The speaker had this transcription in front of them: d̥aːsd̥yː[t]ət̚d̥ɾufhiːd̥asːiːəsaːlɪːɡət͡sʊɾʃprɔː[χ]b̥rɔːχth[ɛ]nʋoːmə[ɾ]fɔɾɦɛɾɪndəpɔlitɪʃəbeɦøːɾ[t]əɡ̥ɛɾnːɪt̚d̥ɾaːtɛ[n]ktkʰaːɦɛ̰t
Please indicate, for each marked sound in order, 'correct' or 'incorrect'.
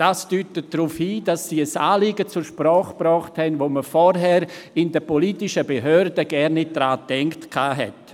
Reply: correct, correct, correct, incorrect: none, incorrect: d, incorrect: ŋ

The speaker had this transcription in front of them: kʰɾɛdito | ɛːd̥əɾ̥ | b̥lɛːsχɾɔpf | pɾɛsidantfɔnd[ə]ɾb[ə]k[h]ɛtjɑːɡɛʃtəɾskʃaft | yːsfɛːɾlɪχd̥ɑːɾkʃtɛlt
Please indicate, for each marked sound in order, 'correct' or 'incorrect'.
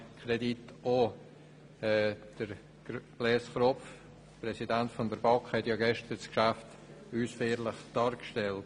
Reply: correct, incorrect: ɑ, correct

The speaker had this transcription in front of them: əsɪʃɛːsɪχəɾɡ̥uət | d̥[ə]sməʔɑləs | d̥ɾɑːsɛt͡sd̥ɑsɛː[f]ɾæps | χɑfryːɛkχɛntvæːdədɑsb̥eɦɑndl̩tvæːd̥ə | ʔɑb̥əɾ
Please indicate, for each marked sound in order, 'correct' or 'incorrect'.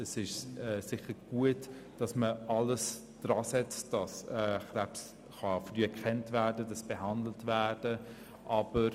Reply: incorrect: ɑ, incorrect: χ

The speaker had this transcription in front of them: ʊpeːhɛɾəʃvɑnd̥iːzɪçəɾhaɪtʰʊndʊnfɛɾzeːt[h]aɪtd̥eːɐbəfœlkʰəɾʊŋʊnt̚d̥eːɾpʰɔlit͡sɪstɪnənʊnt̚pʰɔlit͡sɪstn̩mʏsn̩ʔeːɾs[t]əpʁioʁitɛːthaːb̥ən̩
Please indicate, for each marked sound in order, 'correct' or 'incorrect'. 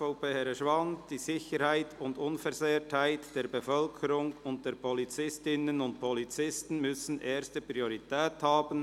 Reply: correct, correct

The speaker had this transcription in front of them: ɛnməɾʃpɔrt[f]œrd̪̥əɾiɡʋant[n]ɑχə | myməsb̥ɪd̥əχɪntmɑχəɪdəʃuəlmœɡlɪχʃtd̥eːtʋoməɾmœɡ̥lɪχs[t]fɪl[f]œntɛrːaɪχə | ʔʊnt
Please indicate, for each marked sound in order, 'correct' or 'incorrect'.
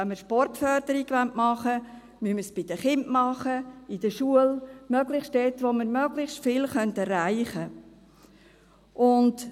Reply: correct, incorrect: m, correct, incorrect: χ

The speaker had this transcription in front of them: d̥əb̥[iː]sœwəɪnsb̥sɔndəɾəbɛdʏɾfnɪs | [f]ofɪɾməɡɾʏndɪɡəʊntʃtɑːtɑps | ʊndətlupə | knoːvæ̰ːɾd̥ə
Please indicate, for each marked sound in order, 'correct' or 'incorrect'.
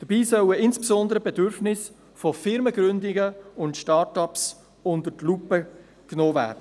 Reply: correct, correct

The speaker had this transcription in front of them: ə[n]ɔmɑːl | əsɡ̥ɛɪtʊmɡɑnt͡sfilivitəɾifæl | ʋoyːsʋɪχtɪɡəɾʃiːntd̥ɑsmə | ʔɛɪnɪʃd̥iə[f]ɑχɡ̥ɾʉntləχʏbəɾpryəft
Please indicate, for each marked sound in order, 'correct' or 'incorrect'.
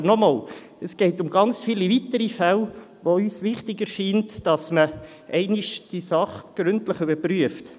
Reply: correct, incorrect: s

